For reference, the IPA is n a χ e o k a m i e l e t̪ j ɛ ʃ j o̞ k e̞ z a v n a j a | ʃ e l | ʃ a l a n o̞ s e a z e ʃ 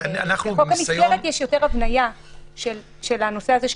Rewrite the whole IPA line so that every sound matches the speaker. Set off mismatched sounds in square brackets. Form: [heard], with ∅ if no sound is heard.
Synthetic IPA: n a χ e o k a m i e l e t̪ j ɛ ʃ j o̞ [t] e̞ [ʁ] a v n a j a | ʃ e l | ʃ [e] l a n o̞ s e a z e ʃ

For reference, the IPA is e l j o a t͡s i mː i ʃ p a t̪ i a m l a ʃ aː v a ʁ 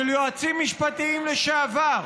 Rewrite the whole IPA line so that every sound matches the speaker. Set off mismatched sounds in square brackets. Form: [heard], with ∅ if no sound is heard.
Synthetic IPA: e l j o a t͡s i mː i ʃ p a t̪ i [i] m l [e] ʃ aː v a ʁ

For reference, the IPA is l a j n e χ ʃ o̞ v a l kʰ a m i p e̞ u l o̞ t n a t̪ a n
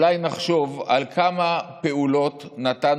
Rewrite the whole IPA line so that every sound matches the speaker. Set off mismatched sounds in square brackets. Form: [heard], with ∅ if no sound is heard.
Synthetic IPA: l a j n [a] χ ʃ o̞ v a l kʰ a m [a] p e̞ u l o̞ t n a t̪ a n

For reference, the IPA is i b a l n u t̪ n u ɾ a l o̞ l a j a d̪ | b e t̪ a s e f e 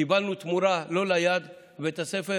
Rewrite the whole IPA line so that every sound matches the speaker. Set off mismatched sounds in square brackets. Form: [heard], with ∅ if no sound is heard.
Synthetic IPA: i b a l n u t̪ [m] u ɾ a l o̞ l a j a d̪ | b e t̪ a s e f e

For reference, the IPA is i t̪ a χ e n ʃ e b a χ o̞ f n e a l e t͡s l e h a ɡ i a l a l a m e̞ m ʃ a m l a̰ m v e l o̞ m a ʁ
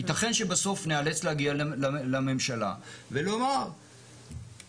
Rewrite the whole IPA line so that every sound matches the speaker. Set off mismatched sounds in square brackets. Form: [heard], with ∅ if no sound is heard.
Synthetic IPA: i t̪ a χ e n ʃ e b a [s] o̞ f n e a l e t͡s l e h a ɡ i a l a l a m e̞ m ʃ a [∅] l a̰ [∅] v e l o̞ m a ʁ

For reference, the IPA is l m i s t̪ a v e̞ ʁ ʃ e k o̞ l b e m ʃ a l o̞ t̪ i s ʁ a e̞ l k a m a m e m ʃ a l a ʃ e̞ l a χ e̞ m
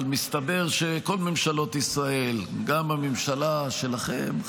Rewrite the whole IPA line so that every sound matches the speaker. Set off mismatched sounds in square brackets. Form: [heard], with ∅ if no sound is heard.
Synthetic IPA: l m i s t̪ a [b] e̞ ʁ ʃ e k o̞ l [m] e m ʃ a l o̞ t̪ i s ʁ a e̞ l [ɡ] a m a m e m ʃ a l a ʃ e̞ l a χ e̞ m

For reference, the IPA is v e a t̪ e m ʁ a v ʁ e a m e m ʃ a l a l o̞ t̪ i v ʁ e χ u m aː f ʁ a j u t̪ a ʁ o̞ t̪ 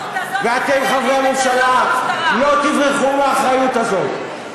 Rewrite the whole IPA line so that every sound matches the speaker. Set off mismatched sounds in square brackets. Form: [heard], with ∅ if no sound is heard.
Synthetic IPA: v e a t̪ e m [χ] a v ʁ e a m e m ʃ a l a l o̞ t̪ i v ʁ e χ u m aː [χ] ʁ a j u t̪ a [z] o̞ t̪

